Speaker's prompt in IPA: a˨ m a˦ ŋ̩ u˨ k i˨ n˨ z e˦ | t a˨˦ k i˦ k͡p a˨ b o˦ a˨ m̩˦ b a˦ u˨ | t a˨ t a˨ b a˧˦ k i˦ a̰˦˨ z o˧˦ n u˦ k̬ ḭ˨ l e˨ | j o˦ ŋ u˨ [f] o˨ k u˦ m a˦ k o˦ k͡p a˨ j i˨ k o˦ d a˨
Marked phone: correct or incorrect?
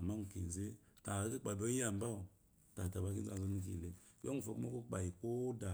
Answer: correct